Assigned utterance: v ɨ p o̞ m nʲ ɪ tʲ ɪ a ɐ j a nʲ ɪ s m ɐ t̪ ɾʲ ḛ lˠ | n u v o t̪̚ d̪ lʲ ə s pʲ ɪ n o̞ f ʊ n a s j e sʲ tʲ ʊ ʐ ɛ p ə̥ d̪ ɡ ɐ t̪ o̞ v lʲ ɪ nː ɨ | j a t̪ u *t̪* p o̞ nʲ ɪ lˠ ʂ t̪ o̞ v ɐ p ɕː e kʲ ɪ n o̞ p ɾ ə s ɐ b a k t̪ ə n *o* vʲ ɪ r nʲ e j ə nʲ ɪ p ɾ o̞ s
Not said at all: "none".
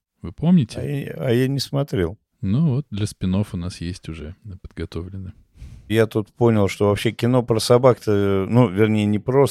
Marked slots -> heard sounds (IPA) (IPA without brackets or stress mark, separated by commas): t̪, u